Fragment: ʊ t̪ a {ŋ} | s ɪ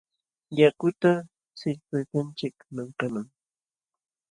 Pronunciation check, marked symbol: incorrect: none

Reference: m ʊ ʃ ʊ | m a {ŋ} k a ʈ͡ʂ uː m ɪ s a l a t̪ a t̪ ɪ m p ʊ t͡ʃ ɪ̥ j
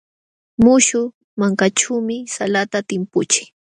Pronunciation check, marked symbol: correct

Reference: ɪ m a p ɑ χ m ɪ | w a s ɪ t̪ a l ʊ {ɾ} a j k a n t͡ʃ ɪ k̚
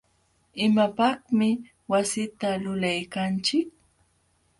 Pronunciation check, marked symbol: incorrect: l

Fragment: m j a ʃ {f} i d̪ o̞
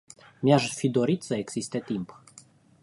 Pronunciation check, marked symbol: correct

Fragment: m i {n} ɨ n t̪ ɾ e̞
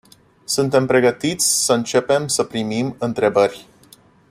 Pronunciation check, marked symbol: incorrect: m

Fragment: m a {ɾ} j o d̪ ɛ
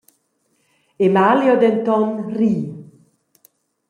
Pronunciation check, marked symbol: incorrect: l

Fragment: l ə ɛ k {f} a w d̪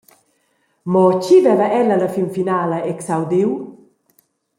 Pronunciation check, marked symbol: incorrect: s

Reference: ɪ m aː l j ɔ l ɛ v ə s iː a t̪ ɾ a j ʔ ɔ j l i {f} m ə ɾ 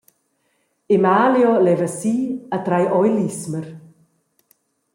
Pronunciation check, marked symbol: incorrect: s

